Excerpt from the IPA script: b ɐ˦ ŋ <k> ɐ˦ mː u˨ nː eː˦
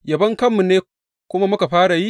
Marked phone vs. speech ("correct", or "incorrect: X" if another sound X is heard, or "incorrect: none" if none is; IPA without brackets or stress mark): correct